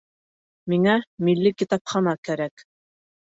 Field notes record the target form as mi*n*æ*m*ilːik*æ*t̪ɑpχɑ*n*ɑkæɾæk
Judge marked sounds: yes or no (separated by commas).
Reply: no, yes, no, yes